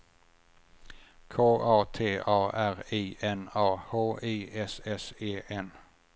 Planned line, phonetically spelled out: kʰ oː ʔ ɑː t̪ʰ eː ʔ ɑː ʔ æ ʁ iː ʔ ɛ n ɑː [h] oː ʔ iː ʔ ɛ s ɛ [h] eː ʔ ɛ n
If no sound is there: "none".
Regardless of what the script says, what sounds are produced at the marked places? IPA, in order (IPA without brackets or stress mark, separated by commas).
h, s